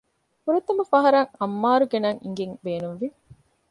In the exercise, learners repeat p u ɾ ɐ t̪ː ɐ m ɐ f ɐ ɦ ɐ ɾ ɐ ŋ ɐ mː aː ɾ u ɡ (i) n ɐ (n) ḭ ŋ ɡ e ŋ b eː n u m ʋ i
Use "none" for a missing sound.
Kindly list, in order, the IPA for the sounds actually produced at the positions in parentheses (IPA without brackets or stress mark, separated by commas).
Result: e, ŋ